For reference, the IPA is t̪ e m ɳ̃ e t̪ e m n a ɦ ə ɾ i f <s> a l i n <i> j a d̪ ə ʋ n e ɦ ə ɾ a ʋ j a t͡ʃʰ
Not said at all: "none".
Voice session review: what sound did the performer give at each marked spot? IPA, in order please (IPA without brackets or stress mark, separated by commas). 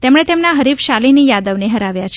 ʃ, i